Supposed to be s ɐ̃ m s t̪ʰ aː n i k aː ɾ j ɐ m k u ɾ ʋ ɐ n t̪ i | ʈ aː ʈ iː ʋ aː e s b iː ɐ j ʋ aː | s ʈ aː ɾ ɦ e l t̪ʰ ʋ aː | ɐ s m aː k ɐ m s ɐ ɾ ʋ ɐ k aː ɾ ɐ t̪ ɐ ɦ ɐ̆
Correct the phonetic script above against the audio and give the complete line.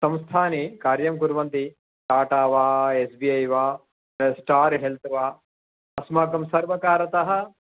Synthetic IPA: s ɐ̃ m s t̪ʰ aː n i k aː ɾ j ɐ m k u ɾ ʋ ɐ n t̪ i | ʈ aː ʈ aː ʋ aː e s b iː ɐ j ʋ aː | s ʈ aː ɾ ɦ e l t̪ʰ ʋ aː | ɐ s m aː k ɐ m s ɐ ɾ ʋ ɐ k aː ɾ ɐ t̪ ɐ ɦ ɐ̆

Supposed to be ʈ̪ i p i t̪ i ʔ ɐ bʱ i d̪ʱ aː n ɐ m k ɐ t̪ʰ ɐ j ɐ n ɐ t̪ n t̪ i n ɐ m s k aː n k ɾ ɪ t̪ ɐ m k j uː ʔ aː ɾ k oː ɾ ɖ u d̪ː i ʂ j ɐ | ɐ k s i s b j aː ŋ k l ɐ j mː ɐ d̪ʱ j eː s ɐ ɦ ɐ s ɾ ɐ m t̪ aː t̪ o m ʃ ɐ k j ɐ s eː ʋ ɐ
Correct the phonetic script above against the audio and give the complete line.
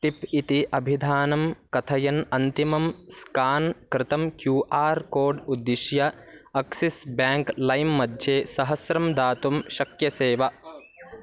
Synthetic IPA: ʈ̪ i p i t̪ i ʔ ɐ bʱ i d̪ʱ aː n ɐ m k ɐ t̪ʰ ɐ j ɐ n ɐ n t̪ i m ɐ m s k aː n k ɾ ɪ t̪ ɐ m k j uː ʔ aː ɾ k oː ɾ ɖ u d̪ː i ʃ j ɐ | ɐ k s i s b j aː ŋ k l ɐ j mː ɐ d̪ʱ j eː s ɐ ɦ ɐ s ɾ ɐ m d̪ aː t̪ u m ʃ ɐ k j ɐ s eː ʋ ɐ

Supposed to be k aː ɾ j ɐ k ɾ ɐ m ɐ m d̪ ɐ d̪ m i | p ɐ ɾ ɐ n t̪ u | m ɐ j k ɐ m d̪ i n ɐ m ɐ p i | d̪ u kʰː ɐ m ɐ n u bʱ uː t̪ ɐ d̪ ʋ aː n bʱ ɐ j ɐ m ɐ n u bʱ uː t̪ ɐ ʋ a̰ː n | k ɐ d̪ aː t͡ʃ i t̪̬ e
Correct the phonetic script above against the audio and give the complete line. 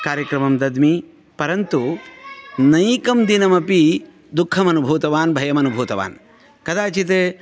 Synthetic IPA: k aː ɾ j ɐ k ɾ ɐ m ɐ m d̪ ɐ d̪ m i | p ɐ ɾ ɐ n t̪ u | n ɐ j k ɐ m d̪ i n ɐ m ɐ p i | d̪ u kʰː ɐ m ɐ n u bʱ uː t̪ ɐ ʋ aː n bʱ ɐ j ɐ m ɐ n u bʱ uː t̪ ɐ ʋ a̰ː n | k ɐ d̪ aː t͡ʃ i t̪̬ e

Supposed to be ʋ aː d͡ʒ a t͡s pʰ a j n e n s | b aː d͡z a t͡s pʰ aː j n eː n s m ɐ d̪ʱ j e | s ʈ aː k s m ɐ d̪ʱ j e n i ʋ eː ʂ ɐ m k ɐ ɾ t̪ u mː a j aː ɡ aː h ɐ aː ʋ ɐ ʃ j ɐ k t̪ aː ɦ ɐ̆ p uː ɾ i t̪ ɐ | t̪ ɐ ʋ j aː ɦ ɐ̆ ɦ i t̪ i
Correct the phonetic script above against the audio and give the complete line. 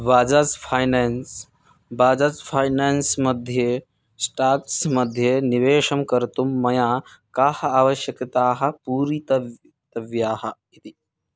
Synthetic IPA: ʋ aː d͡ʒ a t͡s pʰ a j n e n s | b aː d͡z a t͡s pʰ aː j n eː n s m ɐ d̪ʱ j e | s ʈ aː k s m ɐ d̪ʱ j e n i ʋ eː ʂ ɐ m k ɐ ɾ t̪ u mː ɐ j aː k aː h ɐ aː ʋ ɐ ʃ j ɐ k t̪ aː ɦ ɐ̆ p uː ɾ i t̪ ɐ | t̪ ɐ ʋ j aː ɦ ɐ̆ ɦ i t̪ i

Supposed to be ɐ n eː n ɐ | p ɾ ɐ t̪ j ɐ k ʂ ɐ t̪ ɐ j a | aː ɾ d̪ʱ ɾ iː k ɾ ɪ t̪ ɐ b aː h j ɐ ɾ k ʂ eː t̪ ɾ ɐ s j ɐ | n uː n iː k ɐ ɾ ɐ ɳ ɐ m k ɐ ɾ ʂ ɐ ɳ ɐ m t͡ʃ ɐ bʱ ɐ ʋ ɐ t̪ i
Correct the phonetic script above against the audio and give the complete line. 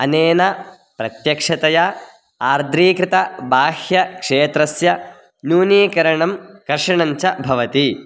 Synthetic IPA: ɐ n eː n ɐ | p ɾ ɐ t̪ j ɐ k ʂ ɐ t̪ ɐ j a | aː ɾ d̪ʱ ɾ iː k ɾ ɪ t̪ ɐ b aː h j ɐ k ʂ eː t̪ ɾ ɐ s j ɐ | n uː n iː k ɐ ɾ ɐ ɳ ɐ m k ɐ ɾ ʂ ɐ ɳ ɐ ɲ t͡ʃ ɐ bʱ ɐ ʋ ɐ t̪ i

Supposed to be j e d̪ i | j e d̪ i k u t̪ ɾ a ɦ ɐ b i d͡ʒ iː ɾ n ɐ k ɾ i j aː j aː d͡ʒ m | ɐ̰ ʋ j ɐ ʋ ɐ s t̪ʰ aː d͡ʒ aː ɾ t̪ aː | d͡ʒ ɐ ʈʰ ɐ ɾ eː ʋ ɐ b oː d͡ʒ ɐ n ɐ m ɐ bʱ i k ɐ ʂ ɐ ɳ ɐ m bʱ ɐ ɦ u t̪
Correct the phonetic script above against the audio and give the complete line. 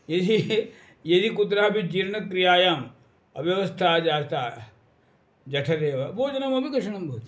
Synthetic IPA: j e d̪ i | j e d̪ i k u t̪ ɾ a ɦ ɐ b i d͡ʒ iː ɾ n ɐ k ɾ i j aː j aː m | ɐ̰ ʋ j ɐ ʋ ɐ s t̪ʰ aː d͡ʒ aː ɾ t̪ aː | d͡ʒ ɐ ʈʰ ɐ ɾ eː ʋ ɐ b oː d͡ʒ ɐ n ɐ m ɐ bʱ i k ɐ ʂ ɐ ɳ ɐ m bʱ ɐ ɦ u t̪

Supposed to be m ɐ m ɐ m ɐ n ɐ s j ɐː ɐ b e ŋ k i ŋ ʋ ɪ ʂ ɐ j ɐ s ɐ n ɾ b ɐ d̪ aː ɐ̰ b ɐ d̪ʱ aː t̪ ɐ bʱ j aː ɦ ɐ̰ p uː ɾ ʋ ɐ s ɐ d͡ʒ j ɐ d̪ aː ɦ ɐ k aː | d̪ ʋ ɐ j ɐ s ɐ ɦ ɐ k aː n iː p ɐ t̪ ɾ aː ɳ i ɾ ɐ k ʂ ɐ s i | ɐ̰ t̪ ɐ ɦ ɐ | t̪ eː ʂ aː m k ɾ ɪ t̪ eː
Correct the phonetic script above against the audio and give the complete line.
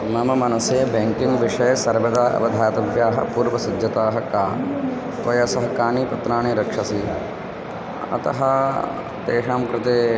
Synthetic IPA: m ɐ m ɐ m ɐ n ɐ s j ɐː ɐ b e ŋ k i ŋ ʋ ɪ ʂ ɐ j ɐ s ɐ ɾ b ɐ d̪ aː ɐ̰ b ɐ d̪ʱ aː t̪ ɐ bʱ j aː ɦ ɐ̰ p uː ɾ ʋ ɐ s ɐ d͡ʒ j ɐ t̪ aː ɦ ɐ k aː | t̪ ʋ ɐ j ɐ s ɐ ɦ ɐ k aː n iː p ɐ t̪ ɾ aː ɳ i ɾ ɐ k ʂ ɐ s i | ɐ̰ t̪ ɐ ɦ ɐ | t̪ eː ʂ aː m k ɾ ɪ t̪ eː

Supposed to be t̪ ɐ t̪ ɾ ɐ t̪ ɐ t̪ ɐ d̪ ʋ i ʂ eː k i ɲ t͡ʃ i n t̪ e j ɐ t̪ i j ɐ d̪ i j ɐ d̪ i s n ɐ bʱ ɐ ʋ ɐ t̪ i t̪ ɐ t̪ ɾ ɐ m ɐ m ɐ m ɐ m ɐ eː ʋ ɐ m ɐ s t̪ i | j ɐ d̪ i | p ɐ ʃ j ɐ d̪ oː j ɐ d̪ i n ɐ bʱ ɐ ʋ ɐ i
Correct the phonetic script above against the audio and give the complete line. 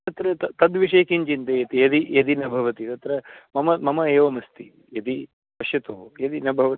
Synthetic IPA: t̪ ɐ t̪ ɾ ɐ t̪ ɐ t̪ ɐ d̪ ʋ i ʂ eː k i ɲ t͡ʃ i n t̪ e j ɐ t̪ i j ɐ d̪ i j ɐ d̪ i n ɐ bʱ ɐ ʋ ɐ t̪ i t̪ ɐ t̪ ɾ ɐ m ɐ m ɐ m ɐ m ɐ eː ʋ ɐ m ɐ s t̪ i | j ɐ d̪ i | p ɐ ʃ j ɐ t̪ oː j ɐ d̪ i n ɐ bʱ ɐ ʋ ɐ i

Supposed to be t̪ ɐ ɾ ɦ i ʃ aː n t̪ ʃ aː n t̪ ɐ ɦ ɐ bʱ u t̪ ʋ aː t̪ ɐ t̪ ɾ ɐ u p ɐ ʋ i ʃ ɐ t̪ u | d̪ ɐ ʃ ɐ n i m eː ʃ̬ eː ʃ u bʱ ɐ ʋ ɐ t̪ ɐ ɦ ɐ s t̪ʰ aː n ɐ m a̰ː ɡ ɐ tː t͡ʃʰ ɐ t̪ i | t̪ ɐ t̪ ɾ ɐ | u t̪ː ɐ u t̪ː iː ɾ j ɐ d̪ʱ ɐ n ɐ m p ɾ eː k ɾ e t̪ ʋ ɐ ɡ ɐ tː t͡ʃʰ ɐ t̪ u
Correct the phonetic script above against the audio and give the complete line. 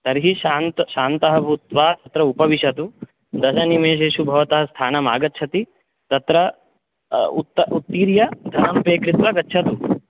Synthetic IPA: t̪ ɐ ɾ ɦ i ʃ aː n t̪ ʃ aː n t̪ ɐ ɦ ɐ bʱ u t̪ ʋ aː t̪ ɐ t̪ ɾ ɐ u p ɐ ʋ i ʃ ɐ t̪ u | d̪ ɐ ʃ ɐ n i m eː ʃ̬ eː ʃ u bʱ ɐ ʋ ɐ t̪ ɐ ɦ ɐ s t̪ʰ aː n ɐ m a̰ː ɡ ɐ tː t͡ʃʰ ɐ t̪ i | t̪ ɐ t̪ ɾ ɐ | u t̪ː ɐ u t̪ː iː ɾ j ɐ d̪ʱ ɐ n ɐ m p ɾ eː k ɾ i t̪ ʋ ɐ ɡ ɐ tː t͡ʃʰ ɐ t̪ u

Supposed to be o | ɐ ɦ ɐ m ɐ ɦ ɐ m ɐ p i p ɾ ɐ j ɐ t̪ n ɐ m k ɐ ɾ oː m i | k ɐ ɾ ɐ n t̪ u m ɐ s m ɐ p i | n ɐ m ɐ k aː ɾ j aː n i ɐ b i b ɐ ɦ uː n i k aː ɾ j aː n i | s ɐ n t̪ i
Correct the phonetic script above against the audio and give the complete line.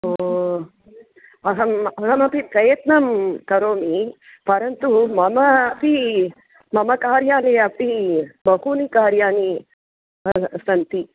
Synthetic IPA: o | ɐ ɦ ɐ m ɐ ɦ ɐ m ɐ p i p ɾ ɐ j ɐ t̪ n ɐ m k ɐ ɾ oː m i | p ɐ ɾ ɐ n t̪ u m ɐ m ɐ p i | m ɐ m ɐ k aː ɾ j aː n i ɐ p i b ɐ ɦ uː n i k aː ɾ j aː n i | s ɐ n t̪ i

